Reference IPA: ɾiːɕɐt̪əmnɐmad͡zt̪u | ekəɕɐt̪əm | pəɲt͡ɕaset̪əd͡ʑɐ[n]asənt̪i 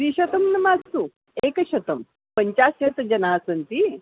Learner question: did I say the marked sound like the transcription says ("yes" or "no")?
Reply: yes